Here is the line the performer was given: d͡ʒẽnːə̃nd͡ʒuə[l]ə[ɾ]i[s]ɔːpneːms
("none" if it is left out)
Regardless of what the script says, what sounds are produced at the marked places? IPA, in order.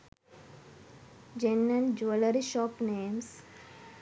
l, ɾ, ʃ

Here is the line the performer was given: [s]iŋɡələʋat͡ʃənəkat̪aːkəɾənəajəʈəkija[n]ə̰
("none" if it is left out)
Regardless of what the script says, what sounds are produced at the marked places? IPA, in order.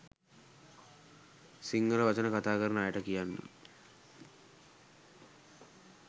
s, nː

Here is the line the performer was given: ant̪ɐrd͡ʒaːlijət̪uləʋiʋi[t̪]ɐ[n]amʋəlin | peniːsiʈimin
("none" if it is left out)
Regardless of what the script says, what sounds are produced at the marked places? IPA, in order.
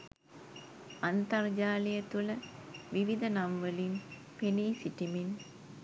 d̪, n

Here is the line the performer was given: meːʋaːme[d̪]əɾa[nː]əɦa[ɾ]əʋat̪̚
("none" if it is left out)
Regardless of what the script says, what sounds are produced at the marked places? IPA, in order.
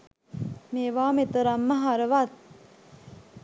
t̪, mː, ɾ

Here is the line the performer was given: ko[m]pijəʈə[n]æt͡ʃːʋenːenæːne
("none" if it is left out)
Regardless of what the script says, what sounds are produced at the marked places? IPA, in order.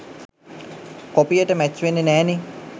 none, m

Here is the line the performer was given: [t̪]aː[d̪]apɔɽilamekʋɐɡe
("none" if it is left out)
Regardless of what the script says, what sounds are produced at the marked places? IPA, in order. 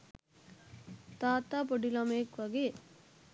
t̪, t̪

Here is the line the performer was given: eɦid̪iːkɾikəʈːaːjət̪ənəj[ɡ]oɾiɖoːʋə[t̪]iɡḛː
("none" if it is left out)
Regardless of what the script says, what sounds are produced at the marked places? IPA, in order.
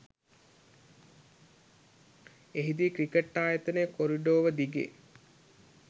k, d̪

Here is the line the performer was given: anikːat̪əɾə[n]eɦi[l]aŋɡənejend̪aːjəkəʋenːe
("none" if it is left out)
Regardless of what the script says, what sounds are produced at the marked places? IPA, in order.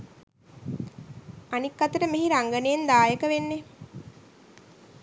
m, ɾ

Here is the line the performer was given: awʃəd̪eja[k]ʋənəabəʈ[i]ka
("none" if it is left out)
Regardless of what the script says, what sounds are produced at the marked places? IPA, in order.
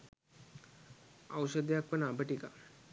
k, i

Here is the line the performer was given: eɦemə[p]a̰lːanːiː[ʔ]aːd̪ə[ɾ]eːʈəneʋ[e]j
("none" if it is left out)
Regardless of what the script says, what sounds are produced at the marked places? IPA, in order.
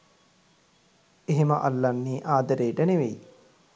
ʔ, ʔ, ɾ, e

